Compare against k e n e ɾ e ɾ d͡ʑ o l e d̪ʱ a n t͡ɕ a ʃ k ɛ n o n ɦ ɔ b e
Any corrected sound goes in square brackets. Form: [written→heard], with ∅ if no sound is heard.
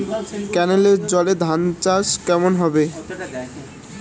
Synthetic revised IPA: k [e→ɛ] n e [ɾ→l] e ɾ d͡ʑ [o→ɔ] l e d̪ʱ a n t͡ɕ a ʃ k ɛ [n→m] o n ɦ ɔ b e